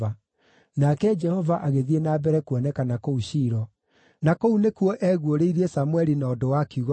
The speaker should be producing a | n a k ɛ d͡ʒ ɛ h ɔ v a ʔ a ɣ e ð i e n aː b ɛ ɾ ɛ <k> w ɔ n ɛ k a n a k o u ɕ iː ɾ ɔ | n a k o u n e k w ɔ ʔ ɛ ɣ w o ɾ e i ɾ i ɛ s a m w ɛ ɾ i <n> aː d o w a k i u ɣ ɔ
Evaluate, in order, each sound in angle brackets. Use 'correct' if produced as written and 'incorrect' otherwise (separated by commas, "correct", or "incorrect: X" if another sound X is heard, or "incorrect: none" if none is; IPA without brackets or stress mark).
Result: correct, correct